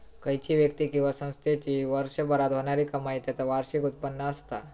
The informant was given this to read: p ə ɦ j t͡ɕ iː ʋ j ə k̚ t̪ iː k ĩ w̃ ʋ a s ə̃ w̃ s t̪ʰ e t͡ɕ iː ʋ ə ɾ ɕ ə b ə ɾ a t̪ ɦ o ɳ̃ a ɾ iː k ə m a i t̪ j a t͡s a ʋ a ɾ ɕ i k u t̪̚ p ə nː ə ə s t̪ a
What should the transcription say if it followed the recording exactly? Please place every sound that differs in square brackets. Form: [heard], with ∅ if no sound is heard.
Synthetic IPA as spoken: [k] ə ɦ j t͡ɕ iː ʋ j ə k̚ t̪ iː k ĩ w̃ ʋ a s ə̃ w̃ s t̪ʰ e t͡ɕ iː ʋ ə ɾ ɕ ə b ə ɾ a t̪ ɦ o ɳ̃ a ɾ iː k ə m a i t̪ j a t͡s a ʋ a ɾ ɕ i k u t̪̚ p ə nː ə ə s t̪ a